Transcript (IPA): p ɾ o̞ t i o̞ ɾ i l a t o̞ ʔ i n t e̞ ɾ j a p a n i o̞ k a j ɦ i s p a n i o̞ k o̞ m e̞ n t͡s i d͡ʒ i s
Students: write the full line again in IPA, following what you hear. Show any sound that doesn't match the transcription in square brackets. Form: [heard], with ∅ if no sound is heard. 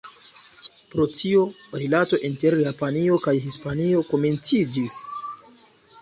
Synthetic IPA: p ɾ o̞ t i o̞ ɾ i l a t o̞ ʔ i n t e̞ ɾ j a p a n i o̞ k a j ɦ i s p a n i o̞ k o̞ m e̞ n t͡s i d͡ʒ i s